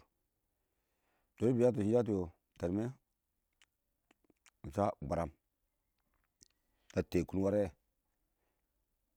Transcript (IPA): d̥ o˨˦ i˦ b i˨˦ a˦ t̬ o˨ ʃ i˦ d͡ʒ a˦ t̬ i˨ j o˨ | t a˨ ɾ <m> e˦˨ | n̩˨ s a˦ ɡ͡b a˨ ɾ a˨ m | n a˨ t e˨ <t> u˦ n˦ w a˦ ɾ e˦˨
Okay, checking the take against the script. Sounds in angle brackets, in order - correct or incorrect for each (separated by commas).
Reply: correct, incorrect